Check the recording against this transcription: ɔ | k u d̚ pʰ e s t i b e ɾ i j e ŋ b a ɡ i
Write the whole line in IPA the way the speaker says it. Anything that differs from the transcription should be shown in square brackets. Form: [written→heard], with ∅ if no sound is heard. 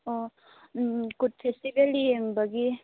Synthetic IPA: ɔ | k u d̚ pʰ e s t i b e [ɾ→l] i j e ŋ b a ɡ i